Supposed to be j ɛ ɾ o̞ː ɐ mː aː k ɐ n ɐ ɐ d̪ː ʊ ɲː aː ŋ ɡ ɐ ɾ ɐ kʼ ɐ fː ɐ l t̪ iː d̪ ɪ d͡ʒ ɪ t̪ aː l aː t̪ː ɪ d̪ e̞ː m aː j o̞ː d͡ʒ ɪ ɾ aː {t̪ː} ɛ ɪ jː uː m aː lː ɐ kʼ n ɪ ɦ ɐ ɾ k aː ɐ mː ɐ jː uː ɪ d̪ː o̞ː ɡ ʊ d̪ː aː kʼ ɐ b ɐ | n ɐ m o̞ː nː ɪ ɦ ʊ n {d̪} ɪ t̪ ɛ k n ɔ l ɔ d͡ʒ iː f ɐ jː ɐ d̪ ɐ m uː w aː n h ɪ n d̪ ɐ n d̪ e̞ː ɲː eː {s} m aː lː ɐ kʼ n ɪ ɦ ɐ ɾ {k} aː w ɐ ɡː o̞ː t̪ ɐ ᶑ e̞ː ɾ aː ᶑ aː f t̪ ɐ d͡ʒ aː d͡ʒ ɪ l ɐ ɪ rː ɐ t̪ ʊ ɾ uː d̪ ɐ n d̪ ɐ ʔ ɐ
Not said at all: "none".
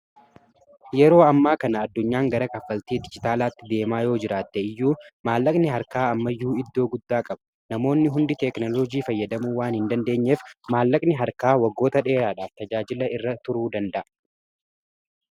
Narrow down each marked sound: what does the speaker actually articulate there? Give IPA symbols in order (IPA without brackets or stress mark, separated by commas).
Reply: t̪ː, d̪, f, k